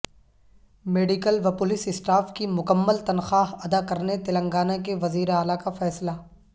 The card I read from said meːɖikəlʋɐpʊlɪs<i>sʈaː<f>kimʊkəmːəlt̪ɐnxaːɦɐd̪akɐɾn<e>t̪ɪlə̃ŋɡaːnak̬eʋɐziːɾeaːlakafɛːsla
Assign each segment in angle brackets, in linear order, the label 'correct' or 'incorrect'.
incorrect, correct, correct

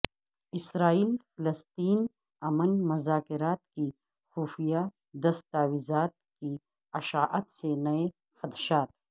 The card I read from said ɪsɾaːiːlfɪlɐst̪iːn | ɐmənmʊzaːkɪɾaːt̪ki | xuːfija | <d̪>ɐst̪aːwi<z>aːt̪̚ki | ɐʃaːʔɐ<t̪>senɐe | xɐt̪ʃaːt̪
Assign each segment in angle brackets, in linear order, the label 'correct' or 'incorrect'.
correct, correct, correct

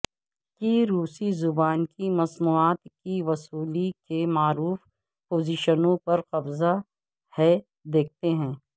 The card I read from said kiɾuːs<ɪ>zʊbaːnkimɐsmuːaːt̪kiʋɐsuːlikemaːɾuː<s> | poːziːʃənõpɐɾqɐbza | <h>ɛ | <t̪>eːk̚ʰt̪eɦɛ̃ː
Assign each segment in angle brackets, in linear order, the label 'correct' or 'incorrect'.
incorrect, incorrect, correct, incorrect

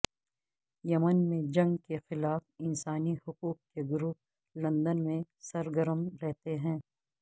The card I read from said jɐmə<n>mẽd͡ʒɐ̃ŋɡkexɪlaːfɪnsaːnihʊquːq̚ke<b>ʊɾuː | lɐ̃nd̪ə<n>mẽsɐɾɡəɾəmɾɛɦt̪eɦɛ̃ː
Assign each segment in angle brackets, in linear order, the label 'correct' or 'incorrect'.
correct, incorrect, correct

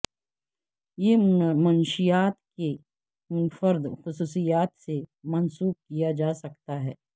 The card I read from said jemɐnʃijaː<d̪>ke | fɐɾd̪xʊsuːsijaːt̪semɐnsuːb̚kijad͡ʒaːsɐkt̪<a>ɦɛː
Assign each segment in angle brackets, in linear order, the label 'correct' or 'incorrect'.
incorrect, correct

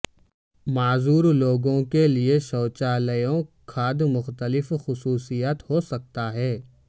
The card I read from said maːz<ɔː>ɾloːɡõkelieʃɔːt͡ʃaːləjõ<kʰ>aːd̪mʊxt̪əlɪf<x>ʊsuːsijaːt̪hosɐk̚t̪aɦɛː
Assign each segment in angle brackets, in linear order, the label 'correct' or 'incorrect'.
incorrect, correct, correct

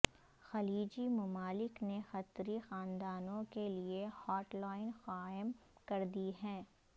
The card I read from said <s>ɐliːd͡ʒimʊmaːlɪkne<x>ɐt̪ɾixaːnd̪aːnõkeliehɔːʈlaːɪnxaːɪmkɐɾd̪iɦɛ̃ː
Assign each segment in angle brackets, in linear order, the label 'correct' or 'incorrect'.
incorrect, correct

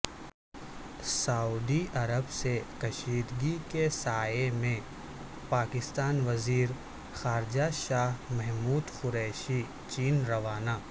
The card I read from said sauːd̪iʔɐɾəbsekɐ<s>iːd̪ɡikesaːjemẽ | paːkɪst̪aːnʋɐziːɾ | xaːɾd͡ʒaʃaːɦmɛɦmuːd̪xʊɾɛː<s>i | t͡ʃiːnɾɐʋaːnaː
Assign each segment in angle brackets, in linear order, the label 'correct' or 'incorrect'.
incorrect, incorrect

